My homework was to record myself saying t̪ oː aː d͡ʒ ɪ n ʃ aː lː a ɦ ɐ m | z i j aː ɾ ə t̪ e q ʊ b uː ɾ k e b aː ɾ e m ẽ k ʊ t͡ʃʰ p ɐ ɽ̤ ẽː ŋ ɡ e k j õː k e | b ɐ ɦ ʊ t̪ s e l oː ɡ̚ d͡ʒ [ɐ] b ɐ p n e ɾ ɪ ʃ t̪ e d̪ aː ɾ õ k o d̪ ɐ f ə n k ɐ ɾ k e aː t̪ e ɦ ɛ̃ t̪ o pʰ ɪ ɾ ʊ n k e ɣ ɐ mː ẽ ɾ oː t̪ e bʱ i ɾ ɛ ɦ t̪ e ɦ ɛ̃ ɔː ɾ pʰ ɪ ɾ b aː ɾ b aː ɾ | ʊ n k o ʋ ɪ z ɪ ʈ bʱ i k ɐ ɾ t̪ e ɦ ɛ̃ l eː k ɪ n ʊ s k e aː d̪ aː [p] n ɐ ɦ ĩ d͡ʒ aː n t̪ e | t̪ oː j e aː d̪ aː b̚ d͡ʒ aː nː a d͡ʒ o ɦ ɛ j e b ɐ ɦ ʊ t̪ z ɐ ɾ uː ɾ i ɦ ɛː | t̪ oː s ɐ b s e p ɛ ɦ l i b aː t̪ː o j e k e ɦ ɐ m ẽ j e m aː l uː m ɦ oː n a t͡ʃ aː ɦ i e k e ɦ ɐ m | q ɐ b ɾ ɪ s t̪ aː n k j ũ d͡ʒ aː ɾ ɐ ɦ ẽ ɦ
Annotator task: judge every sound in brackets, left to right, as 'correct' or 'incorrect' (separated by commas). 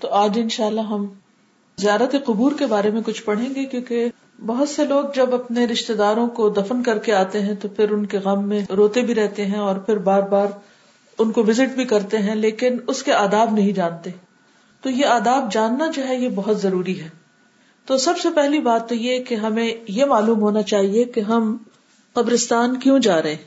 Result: correct, incorrect